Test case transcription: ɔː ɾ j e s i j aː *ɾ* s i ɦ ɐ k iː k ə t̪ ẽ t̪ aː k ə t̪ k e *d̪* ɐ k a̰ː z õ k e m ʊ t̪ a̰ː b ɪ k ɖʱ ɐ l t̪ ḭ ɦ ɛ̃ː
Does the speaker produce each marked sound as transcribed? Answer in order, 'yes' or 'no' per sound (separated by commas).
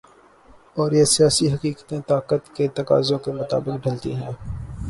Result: no, no